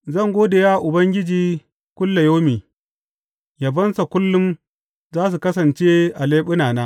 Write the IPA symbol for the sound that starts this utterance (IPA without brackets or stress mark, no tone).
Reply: z